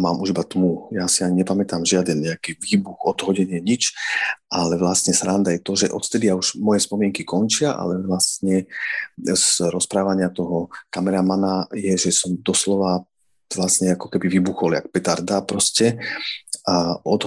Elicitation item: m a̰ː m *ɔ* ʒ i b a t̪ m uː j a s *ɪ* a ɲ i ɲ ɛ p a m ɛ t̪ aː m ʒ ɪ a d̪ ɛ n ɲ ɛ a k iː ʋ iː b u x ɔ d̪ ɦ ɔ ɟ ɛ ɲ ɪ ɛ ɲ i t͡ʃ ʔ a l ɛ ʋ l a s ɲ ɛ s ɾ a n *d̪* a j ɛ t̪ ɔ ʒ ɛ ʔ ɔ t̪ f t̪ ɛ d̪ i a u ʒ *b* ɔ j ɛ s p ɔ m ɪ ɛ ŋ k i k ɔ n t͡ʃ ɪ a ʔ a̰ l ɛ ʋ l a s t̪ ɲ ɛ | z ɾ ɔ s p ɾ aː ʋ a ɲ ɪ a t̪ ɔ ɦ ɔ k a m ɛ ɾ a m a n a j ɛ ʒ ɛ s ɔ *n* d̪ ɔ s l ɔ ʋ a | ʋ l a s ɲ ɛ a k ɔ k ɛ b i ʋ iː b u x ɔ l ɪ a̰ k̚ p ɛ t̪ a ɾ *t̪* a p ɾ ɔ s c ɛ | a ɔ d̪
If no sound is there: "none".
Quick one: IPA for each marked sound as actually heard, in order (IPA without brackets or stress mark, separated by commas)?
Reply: u, i, d̪, m, m, d̪